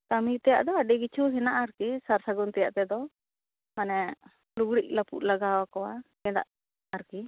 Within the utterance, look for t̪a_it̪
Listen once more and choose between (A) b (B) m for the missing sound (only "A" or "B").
B